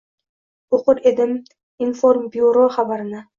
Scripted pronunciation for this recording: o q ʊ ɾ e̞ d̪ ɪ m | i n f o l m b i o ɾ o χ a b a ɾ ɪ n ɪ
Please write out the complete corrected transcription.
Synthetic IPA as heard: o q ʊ ɾ e̞ d̪ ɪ m | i n f o ɾ m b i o ɾ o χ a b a ɾ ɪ n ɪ

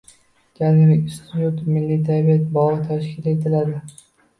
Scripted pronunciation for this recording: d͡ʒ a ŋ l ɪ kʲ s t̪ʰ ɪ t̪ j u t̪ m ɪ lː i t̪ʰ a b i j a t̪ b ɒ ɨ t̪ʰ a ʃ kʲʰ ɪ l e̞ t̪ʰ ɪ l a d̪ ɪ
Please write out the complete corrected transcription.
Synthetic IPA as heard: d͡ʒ a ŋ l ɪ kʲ s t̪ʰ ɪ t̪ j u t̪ m ɪ lː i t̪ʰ a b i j a t̪ b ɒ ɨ t̪ʰ a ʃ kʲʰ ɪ l e̞ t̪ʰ ɪ l a d̪ ɪ

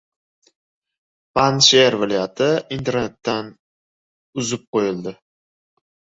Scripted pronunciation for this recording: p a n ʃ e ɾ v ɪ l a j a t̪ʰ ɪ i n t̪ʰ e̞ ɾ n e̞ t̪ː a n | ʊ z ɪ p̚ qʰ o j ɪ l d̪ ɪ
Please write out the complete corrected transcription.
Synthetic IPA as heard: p a n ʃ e ɾ v ɪ l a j a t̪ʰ ɪ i n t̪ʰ e̞ ɾ n e̞ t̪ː a n | ʊ z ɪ p̚ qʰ o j ɪ l d̪ ɪ

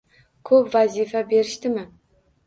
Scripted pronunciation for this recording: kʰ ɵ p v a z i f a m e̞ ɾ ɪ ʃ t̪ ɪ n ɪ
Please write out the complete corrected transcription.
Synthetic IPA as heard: kʰ ɵ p v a z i f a b e̞ ɾ ɪ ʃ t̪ ɪ m ɪ

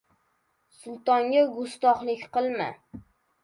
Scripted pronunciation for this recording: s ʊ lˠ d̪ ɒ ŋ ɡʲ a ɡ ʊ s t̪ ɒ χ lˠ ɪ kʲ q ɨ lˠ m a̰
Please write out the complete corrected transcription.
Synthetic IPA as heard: s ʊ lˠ t̪ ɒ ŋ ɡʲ a ɡ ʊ s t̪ ɒ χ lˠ ɪ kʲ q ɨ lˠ m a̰

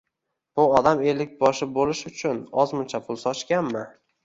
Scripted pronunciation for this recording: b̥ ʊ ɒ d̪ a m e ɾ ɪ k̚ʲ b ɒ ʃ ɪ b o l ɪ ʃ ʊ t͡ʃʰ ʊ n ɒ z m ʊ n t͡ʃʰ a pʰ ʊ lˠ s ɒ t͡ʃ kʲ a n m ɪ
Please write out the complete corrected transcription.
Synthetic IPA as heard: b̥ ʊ ɒ d̪ a m e l ɪ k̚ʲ b ɒ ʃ ɪ b o l ɪ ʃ ʊ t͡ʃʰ ʊ n ɒ z m ʊ n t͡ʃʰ a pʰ ʊ lˠ s ɒ t͡ʃ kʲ a n m ɪ

